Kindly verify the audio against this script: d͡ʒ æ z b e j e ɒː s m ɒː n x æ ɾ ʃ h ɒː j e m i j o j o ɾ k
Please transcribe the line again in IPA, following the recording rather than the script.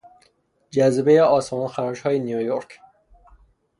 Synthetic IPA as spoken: d͡ʒ æ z b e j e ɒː s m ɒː n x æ ɾ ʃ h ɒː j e n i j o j o ɾ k

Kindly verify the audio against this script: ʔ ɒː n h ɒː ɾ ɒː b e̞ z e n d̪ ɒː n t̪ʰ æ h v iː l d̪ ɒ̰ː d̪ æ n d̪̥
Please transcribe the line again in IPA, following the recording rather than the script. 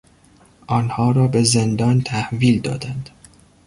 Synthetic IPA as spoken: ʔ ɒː n h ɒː ɾ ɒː b e̞ z e n d̪ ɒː n t̪ʰ æ h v iː l d̪ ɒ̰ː d̪ æ n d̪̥

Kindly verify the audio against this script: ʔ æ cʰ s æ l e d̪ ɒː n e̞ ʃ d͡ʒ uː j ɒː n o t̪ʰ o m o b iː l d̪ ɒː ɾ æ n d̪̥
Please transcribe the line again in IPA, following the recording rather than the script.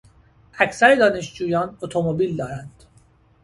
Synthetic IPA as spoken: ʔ æ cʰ s æ ɾ e d̪ ɒː n e̞ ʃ d͡ʒ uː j ɒː n o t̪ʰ o m o b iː l d̪ ɒː ɾ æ n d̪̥

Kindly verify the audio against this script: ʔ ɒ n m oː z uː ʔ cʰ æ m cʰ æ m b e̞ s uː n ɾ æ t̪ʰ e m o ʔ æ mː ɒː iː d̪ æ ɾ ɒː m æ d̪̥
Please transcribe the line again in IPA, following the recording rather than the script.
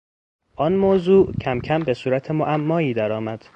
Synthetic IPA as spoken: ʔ ɒ n m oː z uː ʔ cʰ æ m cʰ æ m b e̞ s uː ɾ æ t̪ʰ e m o ʔ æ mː ɒː iː d̪ æ ɾ ɒː m æ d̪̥

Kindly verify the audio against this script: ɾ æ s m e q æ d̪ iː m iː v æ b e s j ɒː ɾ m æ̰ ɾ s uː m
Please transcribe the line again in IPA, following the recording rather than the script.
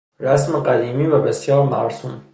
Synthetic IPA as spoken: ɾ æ s m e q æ d̪ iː m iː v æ b e s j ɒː ɾ m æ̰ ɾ s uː m

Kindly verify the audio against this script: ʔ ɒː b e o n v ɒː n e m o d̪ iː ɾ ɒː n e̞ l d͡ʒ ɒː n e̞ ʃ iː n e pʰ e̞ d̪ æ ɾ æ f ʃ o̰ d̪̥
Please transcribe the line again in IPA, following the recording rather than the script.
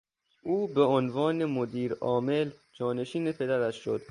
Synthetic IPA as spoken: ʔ uː b e o n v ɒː n e m o d̪ iː ɾ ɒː m e̞ l d͡ʒ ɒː n e̞ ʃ iː n e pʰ e̞ d̪ æ ɾ æ ʃ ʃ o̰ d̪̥

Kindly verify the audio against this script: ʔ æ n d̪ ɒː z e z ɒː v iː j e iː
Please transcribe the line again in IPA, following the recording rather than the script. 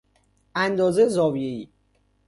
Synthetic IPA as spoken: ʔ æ n d̪ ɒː z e z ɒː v i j e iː

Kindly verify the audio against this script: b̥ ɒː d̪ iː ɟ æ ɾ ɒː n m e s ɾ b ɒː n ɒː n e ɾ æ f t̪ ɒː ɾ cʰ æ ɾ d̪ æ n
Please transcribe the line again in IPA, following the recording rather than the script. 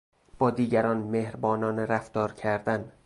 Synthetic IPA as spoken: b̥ ɒː d̪ iː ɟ æ ɾ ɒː n m e h ɾ b ɒː n ɒː n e ɾ æ f t̪ ɒː ɾ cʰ æ ɾ d̪ æ n

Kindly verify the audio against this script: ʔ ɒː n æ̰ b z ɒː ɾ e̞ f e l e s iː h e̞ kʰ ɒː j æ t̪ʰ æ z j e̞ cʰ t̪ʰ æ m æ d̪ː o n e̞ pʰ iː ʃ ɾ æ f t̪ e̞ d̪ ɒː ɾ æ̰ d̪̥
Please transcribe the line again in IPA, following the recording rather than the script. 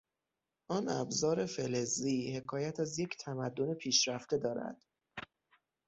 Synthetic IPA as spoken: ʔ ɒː n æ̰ b z ɒː ɾ e̞ f e l e z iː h e̞ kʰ ɒː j æ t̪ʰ æ z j e̞ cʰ t̪ʰ æ m æ d̪ː o n e̞ pʰ iː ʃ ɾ æ f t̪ e̞ d̪ ɒː ɾ æ̰ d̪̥

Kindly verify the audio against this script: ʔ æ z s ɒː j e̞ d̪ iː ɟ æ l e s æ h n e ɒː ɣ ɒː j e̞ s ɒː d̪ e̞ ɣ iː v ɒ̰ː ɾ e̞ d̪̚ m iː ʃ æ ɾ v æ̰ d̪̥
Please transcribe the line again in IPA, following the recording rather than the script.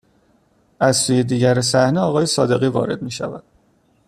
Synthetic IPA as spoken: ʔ æ z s uː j e̞ d̪ iː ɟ æ ɾ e s æ h n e ɒː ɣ ɒː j e̞ s ɒː d̪ e̞ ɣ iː v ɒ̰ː ɾ e̞ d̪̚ m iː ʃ æ v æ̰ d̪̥

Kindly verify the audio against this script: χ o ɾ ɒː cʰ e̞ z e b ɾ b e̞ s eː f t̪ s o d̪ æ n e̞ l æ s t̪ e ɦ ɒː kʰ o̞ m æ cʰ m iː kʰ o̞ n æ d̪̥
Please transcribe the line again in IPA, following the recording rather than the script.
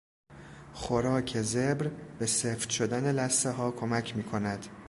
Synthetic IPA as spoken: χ o ɾ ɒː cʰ e̞ z e b ɾ b e̞ s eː f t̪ ʃ o d̪ æ n e̞ l æ s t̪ e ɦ ɒː kʰ o̞ m æ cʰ m iː kʰ o̞ n æ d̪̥

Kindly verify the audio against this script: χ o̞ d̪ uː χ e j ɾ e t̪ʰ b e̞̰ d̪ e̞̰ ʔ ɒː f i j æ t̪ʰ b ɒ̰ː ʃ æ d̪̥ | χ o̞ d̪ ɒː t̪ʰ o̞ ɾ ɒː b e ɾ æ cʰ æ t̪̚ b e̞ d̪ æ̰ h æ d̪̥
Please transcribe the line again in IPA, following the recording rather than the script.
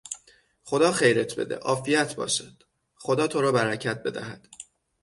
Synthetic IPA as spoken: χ o̞ d̪ ɒː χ e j ɾ e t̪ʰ b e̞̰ d̪ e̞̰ ʔ ɒː f i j æ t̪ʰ b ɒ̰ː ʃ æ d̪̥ | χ o̞ d̪ ɒː t̪ʰ o̞ ɾ ɒː b æ ɾ æ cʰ æ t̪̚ b e̞ d̪ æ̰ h æ d̪̥

